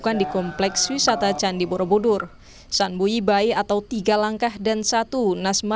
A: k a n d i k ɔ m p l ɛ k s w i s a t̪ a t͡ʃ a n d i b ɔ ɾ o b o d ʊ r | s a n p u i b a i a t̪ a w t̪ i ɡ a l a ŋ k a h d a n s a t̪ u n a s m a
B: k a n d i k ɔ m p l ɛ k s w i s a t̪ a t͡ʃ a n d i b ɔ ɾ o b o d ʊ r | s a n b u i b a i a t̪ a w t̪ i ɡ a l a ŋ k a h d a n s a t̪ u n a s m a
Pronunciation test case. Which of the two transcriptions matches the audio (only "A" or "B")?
B